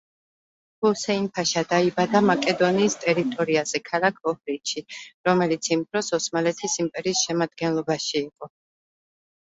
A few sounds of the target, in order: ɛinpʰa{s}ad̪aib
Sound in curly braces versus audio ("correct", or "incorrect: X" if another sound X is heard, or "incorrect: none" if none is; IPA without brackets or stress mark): incorrect: ʃ